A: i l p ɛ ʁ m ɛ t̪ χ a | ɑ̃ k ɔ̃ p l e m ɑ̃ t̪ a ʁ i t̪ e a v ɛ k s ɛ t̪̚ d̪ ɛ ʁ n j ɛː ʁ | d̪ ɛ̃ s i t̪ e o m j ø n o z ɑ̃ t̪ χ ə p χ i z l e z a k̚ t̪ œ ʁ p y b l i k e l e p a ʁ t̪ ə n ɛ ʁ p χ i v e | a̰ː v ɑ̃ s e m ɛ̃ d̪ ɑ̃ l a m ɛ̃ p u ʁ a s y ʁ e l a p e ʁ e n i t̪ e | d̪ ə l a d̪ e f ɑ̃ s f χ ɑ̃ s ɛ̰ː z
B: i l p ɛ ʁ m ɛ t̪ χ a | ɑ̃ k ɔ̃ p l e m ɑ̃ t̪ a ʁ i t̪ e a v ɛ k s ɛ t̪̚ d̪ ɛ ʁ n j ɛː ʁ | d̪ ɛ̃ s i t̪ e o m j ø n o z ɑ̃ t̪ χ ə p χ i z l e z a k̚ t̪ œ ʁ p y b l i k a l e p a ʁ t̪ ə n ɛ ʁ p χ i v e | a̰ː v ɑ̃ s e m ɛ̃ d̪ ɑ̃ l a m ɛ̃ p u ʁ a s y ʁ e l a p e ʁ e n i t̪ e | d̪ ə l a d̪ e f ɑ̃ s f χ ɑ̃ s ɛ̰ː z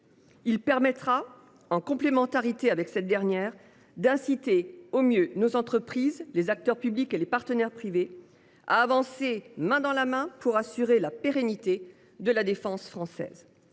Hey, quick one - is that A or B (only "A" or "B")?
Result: A